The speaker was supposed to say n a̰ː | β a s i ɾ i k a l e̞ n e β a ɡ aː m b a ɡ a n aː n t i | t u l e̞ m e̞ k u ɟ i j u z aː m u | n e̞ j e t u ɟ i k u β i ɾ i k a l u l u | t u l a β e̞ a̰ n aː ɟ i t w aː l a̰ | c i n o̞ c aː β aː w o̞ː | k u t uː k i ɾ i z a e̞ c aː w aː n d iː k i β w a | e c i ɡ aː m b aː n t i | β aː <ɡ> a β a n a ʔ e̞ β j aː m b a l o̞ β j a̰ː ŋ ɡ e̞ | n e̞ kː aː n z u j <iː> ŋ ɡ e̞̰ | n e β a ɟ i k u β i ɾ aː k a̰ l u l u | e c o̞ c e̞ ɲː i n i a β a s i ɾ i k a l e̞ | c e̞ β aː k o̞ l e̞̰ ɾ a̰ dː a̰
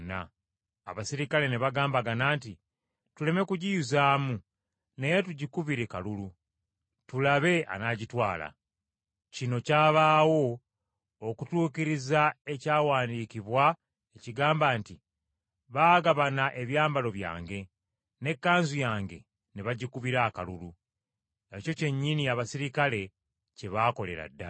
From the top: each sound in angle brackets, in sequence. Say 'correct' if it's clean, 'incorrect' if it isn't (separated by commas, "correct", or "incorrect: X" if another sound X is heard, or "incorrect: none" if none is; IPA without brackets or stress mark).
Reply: correct, incorrect: aː